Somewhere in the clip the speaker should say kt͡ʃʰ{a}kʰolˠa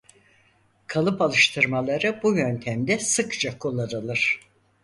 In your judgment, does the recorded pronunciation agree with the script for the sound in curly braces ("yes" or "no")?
yes